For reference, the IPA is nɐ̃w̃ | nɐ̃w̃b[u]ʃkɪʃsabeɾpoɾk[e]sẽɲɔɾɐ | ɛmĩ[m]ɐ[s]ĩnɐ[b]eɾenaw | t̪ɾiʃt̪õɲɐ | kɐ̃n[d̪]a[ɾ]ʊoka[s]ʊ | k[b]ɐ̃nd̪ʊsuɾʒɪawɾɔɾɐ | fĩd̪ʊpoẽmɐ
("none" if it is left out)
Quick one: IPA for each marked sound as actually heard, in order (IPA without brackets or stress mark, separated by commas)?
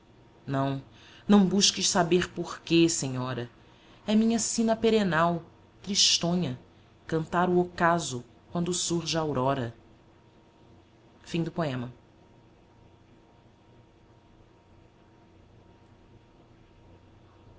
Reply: u, e, ɲ, s, p, t̪, ɾ, z, w